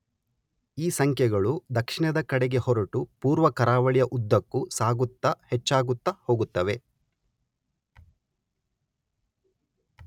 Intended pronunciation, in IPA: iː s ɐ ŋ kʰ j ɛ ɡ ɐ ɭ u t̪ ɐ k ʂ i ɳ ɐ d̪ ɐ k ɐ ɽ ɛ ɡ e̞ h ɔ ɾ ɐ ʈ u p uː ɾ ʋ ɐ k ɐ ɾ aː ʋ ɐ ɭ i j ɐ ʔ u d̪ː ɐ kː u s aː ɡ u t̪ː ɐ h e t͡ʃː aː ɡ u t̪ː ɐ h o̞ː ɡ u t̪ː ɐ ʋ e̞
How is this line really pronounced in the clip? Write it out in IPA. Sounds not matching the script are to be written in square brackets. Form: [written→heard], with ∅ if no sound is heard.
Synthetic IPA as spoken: iː s ɐ ŋ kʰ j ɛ ɡ ɐ ɭ u [t̪→d̪] ɐ k ʂ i ɳ ɐ d̪ ɐ k ɐ ɽ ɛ ɡ e̞ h ɔ ɾ ɐ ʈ u p uː ɾ ʋ ɐ k ɐ ɾ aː ʋ ɐ ɭ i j ɐ ʔ u d̪ː ɐ kː u s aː ɡ u t̪ː ɐ h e t͡ʃː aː ɡ u t̪ː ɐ h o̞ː ɡ u t̪ː ɐ ʋ e̞